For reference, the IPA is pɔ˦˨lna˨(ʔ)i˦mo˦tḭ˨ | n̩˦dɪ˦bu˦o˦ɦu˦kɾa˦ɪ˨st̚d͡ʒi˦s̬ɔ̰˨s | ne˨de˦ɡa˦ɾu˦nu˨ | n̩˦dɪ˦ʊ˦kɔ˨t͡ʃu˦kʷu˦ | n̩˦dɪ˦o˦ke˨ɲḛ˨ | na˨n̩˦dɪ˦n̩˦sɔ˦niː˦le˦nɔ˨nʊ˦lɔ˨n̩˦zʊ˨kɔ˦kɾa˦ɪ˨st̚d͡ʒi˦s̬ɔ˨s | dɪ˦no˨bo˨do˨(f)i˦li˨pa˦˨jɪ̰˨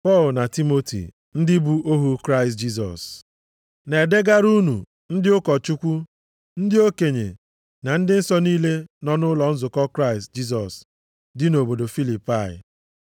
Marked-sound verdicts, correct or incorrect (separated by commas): incorrect, correct